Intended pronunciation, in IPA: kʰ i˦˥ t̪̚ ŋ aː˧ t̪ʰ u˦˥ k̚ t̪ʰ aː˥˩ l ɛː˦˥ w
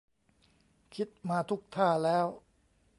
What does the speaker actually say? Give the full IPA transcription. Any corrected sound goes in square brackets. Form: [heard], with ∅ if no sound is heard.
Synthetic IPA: kʰ i˦˥ t̪̚ [m] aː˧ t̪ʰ u˦˥ k̚ t̪ʰ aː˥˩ l ɛː˦˥ w